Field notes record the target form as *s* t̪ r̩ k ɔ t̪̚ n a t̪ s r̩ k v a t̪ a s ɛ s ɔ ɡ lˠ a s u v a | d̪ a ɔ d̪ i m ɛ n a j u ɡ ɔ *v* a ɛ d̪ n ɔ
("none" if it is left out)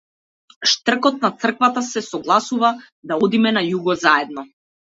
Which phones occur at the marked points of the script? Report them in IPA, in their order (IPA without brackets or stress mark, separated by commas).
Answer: ʃ, z